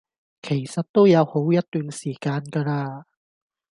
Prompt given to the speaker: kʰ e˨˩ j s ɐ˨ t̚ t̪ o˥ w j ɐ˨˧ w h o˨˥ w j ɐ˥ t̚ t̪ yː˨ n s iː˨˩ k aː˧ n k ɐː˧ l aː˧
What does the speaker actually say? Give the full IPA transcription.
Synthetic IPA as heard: kʰ e˨˩ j s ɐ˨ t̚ t̪ o˥ w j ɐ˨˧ w h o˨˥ w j ɐ˥ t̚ t̪ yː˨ n s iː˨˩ k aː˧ n k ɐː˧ l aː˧